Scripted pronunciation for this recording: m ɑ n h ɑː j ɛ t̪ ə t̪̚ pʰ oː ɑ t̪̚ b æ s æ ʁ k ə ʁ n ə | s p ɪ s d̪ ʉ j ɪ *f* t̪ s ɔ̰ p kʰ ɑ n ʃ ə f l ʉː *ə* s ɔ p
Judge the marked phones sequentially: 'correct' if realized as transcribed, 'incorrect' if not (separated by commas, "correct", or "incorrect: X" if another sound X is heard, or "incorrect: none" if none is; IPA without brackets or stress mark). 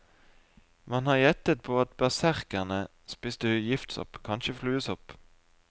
correct, correct